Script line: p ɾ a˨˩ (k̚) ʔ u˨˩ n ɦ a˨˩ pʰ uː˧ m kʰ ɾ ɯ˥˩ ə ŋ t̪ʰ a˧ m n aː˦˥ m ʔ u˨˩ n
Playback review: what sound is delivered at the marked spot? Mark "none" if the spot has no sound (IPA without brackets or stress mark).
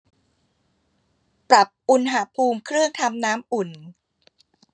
p̚